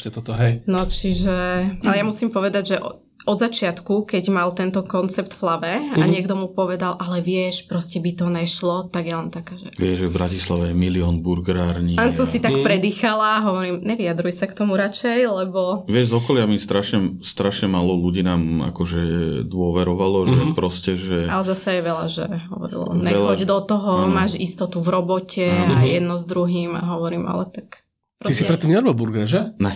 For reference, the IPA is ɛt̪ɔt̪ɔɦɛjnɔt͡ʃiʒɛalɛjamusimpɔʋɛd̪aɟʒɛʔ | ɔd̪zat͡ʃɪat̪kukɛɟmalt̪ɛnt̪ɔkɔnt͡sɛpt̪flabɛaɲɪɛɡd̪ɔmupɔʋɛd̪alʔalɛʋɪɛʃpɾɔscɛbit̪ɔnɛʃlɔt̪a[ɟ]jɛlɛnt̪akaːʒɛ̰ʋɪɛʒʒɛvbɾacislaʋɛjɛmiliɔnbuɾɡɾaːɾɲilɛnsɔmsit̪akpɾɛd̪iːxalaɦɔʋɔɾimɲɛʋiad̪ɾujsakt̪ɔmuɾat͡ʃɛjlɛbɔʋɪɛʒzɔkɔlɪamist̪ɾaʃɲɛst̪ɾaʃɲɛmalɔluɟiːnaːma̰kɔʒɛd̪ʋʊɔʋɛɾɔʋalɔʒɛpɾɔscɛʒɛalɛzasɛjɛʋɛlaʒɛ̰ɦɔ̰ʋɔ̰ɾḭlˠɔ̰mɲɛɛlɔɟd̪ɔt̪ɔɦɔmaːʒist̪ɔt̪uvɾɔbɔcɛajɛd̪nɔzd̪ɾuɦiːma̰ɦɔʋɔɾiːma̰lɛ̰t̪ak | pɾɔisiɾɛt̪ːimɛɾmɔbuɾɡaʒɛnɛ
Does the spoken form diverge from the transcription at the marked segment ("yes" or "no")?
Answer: yes